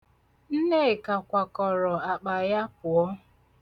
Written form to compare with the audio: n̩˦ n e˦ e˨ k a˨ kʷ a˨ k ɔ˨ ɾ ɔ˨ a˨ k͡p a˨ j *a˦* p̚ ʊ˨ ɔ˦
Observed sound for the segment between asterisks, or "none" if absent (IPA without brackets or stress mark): a˦